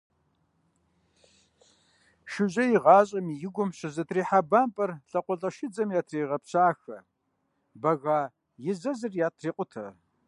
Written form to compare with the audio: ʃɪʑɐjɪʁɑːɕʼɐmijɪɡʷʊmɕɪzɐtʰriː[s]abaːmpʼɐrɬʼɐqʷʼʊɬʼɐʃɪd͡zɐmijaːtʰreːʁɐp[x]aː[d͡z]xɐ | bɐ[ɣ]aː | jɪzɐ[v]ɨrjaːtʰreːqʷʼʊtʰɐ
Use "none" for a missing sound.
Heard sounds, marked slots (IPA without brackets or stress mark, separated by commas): ħ, ɕ, none, ɣ, z